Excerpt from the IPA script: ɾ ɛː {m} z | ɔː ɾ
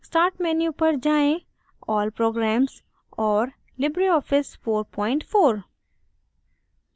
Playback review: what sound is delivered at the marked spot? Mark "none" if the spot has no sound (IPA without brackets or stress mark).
m